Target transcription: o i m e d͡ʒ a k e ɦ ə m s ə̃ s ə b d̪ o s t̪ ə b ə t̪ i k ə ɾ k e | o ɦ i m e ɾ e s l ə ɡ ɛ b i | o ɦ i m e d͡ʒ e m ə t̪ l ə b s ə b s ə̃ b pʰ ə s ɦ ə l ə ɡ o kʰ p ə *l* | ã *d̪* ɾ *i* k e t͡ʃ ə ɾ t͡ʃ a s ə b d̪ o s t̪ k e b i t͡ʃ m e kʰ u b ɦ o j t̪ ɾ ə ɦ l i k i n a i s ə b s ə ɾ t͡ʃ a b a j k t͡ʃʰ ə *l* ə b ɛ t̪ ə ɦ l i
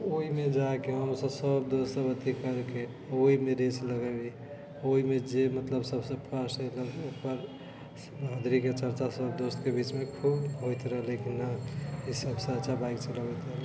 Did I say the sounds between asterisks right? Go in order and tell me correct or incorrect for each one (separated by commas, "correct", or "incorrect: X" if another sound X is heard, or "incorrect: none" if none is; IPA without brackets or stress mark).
incorrect: ɾ, correct, correct, correct